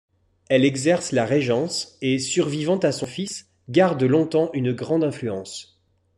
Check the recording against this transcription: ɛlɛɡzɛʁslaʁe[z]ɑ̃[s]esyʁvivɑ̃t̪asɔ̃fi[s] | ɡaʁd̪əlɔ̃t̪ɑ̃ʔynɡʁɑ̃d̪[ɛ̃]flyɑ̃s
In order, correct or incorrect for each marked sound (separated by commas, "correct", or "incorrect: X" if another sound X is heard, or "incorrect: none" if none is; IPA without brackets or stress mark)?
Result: incorrect: ʒ, correct, correct, correct